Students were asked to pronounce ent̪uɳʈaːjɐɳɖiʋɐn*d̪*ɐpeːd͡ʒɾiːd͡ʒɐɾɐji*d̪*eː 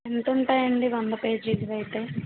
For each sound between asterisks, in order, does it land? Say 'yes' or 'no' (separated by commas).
yes, no